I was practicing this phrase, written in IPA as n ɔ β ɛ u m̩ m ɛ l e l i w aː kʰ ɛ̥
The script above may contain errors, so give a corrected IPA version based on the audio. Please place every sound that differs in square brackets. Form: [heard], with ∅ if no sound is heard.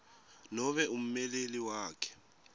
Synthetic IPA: n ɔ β ɛ u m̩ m ɛ l e l i w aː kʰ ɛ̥